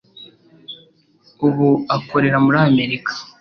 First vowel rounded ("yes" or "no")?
yes